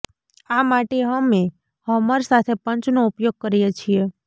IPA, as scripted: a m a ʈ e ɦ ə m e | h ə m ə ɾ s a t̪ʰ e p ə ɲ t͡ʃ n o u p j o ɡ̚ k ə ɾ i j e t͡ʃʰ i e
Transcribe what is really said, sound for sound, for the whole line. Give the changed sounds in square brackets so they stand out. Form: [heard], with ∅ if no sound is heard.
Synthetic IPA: a m a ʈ e ɦ ə m e | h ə m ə ɾ s a t̪ʰ e p ə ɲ t͡ʃ n o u p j o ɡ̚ k ə ɾ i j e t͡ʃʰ i e